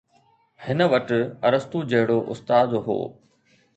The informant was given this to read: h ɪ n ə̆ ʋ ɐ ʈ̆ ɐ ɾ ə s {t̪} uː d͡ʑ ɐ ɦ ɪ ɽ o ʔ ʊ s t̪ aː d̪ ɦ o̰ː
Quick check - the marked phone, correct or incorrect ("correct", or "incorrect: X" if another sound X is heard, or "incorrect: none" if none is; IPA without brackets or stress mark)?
correct